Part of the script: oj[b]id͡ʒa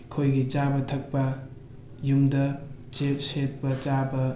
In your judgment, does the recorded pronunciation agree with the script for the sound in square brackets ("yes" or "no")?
no